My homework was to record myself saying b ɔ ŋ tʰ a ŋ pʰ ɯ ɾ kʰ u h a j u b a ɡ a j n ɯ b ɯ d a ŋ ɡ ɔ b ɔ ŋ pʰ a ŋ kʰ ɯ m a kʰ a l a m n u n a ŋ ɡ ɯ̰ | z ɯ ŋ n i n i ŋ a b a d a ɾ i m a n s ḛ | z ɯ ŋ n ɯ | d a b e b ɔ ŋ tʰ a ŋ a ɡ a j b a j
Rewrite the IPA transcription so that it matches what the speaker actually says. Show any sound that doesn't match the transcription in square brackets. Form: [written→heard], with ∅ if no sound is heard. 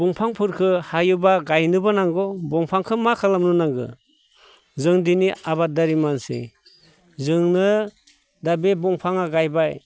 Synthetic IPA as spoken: b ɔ ŋ [tʰ→pʰ] a ŋ pʰ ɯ ɾ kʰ [u→ɯ] h a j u b a ɡ a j n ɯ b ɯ [d→n] a ŋ ɡ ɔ b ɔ ŋ pʰ a ŋ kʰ ɯ m a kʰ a l a m n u n a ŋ ɡ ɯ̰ | z ɯ ŋ [n→d] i n i [ŋ→∅] a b a d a ɾ i m a n s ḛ | z ɯ ŋ n ɯ | d a b e b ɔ ŋ [tʰ→pʰ] a ŋ a ɡ a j b a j

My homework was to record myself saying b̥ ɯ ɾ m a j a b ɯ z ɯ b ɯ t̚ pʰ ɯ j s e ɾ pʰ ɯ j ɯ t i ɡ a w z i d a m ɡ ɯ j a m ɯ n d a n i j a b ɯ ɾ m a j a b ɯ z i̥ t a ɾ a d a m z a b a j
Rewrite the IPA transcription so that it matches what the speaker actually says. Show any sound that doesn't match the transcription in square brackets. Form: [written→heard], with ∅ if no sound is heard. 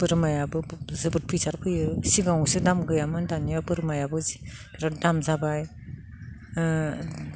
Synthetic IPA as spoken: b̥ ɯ ɾ m a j a b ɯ z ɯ b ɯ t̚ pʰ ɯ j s [e→a] ɾ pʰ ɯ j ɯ [t→s] i ɡ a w [z→s] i d a m ɡ ɯ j a m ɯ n d a n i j a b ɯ ɾ m a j a b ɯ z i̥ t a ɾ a d a m z a b a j

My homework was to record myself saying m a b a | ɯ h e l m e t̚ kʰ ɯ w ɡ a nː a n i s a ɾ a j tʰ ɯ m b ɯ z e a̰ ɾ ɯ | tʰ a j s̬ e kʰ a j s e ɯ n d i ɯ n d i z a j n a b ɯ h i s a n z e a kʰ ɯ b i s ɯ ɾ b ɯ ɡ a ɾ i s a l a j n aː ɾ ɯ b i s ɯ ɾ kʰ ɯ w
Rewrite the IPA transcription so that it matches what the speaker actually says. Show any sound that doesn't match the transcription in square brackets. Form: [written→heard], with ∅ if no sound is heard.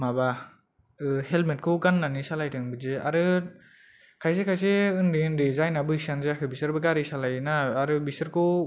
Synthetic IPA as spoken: m a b a | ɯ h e l m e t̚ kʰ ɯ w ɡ a nː a n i s a [ɾ→l] a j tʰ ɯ [m→ŋ] b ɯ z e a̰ ɾ ɯ | [tʰ→kʰ] a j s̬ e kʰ a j s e ɯ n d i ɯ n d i z a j n a b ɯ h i s a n z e a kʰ ɯ b i s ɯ ɾ b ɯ ɡ a ɾ i s a l a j n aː ɾ ɯ b i s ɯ ɾ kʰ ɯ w

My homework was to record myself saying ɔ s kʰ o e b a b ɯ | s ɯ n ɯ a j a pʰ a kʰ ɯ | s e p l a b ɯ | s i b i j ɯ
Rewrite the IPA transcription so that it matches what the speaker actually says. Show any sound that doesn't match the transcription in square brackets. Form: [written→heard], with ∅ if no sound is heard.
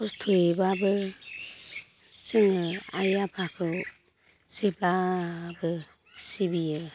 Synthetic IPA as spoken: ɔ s [kʰ→tʰ] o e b a b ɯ | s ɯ [n→ŋ] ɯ a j a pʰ a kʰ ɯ | s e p l a b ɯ | s i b i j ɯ

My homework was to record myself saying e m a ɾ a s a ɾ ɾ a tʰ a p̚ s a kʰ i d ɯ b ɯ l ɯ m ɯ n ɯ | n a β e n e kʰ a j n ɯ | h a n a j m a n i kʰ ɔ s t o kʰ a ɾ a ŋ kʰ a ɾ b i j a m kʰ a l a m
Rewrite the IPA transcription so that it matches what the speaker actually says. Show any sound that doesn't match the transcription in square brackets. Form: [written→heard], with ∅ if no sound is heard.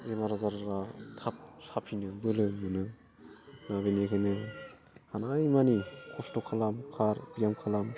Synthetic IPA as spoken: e m a ɾ a [s→z] a ɾ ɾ a tʰ a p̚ s a [kʰ→pʰ] i [d→n] ɯ b ɯ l ɯ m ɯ n ɯ | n a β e n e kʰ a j n ɯ | h a n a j m a n i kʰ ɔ s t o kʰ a [ɾ→l] a [ŋ→m] kʰ a ɾ b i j a m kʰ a l a m

